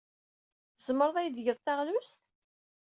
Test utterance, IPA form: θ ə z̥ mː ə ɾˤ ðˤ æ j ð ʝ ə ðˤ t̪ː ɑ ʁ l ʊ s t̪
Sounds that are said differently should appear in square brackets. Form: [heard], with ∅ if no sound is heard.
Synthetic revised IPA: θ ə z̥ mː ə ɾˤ ðˤ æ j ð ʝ ə ðˤ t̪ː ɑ ʁ l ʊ s t̪